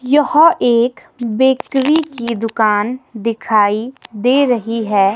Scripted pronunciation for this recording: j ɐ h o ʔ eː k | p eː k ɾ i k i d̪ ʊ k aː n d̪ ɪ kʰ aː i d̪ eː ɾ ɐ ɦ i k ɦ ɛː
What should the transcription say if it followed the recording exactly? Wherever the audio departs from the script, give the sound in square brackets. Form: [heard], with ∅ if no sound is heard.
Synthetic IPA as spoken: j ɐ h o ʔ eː k | [b] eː k ɾ i k i d̪ ʊ k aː n d̪ ɪ kʰ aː i d̪ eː ɾ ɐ ɦ i [∅] ɦ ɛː